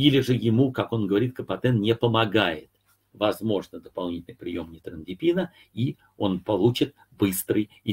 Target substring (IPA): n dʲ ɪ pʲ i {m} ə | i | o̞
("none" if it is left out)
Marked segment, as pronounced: n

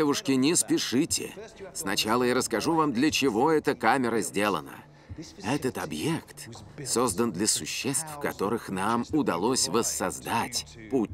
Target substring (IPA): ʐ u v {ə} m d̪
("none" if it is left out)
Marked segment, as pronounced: a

